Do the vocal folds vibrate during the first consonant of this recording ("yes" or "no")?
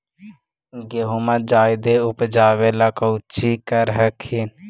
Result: yes